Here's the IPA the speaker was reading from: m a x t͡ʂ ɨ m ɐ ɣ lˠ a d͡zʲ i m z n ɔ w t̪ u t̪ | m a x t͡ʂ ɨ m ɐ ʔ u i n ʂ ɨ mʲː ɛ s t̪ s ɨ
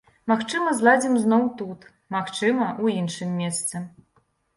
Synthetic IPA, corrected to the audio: m a x t͡ʂ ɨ m ɐ z lˠ a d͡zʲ i m z n ɔ w t̪ u t̪ | m a x t͡ʂ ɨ m ɐ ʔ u i n ʂ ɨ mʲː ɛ s t̪ s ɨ